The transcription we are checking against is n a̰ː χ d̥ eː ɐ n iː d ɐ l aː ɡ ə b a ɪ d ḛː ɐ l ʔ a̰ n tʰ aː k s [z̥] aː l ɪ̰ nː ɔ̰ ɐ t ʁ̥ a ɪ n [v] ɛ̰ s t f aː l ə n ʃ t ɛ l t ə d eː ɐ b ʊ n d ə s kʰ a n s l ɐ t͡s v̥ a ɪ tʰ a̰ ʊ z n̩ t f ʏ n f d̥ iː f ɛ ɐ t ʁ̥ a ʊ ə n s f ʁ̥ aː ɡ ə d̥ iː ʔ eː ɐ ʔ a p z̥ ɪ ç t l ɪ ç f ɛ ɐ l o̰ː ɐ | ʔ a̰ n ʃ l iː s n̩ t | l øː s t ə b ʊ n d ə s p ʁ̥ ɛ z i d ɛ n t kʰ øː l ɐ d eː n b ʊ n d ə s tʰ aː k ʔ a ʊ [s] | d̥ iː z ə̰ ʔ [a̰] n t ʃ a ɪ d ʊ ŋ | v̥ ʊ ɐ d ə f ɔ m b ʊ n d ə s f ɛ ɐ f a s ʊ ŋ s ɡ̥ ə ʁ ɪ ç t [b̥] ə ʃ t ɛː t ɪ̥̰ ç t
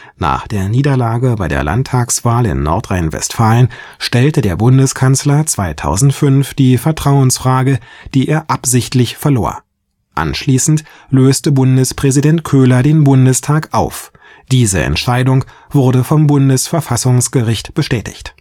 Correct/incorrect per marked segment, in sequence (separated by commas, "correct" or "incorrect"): incorrect, correct, incorrect, incorrect, correct